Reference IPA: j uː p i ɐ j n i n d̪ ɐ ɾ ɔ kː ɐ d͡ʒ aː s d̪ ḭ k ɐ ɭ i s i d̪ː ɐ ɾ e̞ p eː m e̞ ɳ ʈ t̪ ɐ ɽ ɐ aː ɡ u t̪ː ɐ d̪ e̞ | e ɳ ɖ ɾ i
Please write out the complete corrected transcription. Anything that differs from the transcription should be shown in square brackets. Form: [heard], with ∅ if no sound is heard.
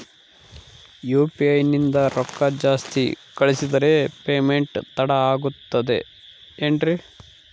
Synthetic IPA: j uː p i ɐ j n i n d̪ ɐ ɾ ɔ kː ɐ d͡ʒ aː s [t̪] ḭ k ɐ ɭ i s i [d̪] ɐ ɾ e̞ p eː m e̞ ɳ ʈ t̪ ɐ ɽ ɐ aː ɡ u t̪ː ɐ d̪ e̞ | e ɳ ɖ ɾ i

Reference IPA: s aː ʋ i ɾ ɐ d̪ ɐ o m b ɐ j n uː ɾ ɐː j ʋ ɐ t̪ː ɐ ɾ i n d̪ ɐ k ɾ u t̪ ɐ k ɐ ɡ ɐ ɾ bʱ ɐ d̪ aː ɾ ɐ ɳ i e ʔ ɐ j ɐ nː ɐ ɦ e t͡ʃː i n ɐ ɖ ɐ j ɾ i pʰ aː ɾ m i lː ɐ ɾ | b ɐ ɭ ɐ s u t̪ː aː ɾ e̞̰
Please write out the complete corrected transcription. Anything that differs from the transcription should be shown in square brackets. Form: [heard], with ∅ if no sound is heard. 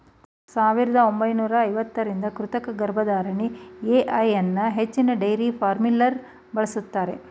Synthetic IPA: s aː ʋ i ɾ ɐ d̪ ɐ o m b ɐ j n uː ɾ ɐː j ʋ ɐ t̪ː ɐ ɾ i n d̪ ɐ k ɾ u t̪ ɐ k ɐ ɡ ɐ ɾ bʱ ɐ d̪ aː ɾ ɐ ɳ i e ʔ ɐ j ɐ nː ɐ ɦ e t͡ʃː i n ɐ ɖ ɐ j ɾ i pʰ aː ɾ m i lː ɐ ɾ | b ɐ ɭ ɐ s u t̪ː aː ɾ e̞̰

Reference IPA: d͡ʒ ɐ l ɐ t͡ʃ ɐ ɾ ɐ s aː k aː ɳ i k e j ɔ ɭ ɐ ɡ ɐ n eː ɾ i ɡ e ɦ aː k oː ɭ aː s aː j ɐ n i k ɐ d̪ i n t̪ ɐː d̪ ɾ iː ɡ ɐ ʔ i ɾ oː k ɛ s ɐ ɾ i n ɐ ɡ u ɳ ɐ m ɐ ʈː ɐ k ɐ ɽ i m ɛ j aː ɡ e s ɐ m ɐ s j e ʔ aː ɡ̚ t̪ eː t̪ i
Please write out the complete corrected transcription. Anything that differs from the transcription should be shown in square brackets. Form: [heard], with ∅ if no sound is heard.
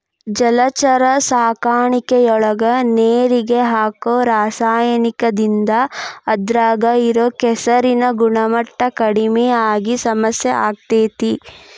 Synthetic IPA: d͡ʒ ɐ l ɐ t͡ʃ ɐ ɾ ɐ s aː k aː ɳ i k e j ɔ ɭ ɐ ɡ ɐ n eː ɾ i ɡ e ɦ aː k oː [ɾ] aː s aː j ɐ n i k ɐ d̪ i n [d̪] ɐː d̪ ɾ [aː] ɡ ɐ [∅] i ɾ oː k ɛ s ɐ ɾ i n ɐ ɡ u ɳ ɐ m ɐ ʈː ɐ k ɐ ɽ i m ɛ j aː ɡ [i] s ɐ m ɐ s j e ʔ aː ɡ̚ t̪ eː t̪ i

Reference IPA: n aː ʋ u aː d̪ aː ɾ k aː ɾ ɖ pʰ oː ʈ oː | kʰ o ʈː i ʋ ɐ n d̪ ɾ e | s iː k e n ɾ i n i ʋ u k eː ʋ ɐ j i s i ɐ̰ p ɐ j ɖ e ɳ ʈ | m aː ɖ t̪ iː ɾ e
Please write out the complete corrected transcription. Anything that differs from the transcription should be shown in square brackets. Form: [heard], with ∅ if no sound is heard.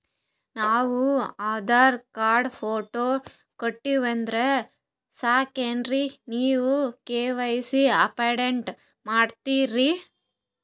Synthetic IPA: n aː ʋ u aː d̪ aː ɾ k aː ɾ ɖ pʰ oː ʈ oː | [k] o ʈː i ʋ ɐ n d̪ ɾ e | s [aː] k e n ɾ i n [iː] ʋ u k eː ʋ ɐ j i s i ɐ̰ p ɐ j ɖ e ɳ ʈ | m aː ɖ t̪ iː ɾ [i]

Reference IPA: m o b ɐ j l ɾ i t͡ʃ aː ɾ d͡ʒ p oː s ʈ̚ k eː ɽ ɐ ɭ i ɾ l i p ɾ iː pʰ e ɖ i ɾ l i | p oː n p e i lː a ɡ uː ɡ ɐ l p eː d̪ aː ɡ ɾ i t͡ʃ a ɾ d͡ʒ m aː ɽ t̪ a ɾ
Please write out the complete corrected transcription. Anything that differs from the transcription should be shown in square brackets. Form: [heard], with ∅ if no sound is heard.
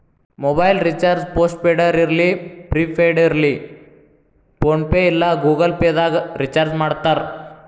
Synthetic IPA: m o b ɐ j l ɾ i t͡ʃ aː ɾ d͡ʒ p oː s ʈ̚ [p] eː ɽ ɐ [ɾ] i ɾ l i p ɾ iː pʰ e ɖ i ɾ l i | p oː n p e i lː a ɡ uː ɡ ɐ l p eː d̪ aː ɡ ɾ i t͡ʃ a ɾ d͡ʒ m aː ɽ t̪ a ɾ

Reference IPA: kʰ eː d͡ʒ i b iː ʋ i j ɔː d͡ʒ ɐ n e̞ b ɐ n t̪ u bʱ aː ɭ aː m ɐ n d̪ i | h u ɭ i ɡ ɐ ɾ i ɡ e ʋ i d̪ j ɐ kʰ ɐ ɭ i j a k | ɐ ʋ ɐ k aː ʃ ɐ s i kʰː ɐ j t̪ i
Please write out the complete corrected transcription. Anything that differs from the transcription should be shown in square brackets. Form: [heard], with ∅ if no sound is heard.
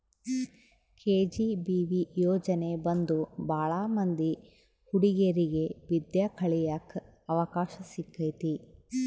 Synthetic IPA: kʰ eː d͡ʒ i b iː ʋ i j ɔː d͡ʒ ɐ n e̞ b ɐ n [d̪] u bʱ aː ɭ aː m ɐ n d̪ i | h u [ɽ] i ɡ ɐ ɾ i ɡ e ʋ i d̪ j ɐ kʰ ɐ ɭ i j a k | ɐ ʋ ɐ k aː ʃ ɐ s i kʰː ɐ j t̪ i

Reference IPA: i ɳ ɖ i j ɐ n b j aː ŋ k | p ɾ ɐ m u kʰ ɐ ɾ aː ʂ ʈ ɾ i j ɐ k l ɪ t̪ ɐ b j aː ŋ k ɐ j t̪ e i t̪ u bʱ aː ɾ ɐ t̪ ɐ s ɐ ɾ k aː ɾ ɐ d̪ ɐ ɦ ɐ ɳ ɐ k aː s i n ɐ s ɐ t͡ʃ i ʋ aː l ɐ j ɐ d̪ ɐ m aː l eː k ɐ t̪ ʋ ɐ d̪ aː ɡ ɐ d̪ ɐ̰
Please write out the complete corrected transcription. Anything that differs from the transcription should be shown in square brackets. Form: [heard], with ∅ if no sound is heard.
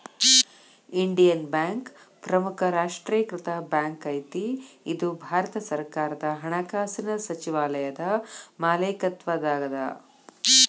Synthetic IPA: i ɳ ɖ i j ɐ n b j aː ŋ k | p ɾ ɐ m u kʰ ɐ ɾ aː ʂ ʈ ɾ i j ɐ k [ɾ] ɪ t̪ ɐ b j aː ŋ k ɐ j t̪ [i] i [d̪] u bʱ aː ɾ ɐ t̪ ɐ s ɐ ɾ k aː ɾ ɐ d̪ ɐ ɦ ɐ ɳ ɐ k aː s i n ɐ s ɐ t͡ʃ i ʋ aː l ɐ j ɐ d̪ ɐ m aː l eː k ɐ t̪ ʋ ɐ d̪ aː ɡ ɐ d̪ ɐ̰

